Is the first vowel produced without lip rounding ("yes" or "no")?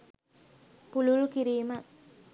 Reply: no